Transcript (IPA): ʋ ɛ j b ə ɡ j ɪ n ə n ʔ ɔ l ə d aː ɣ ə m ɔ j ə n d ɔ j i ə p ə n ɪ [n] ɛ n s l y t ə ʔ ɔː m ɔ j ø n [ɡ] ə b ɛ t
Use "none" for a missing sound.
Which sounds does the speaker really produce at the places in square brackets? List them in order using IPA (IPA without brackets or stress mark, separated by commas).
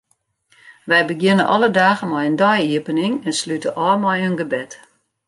ŋ, ɡ